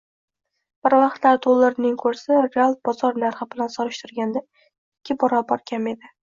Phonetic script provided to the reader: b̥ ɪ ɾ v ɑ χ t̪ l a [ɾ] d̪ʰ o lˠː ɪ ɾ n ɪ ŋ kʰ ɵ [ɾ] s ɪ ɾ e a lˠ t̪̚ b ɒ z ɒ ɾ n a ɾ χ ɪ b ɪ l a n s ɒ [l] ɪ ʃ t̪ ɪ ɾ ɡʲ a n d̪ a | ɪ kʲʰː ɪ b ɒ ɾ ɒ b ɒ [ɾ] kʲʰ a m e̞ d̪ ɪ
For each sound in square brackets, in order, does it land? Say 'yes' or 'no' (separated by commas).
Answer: yes, yes, no, yes